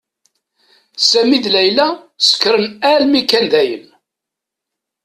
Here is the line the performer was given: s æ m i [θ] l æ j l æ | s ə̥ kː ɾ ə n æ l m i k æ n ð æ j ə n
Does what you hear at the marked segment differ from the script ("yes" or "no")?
yes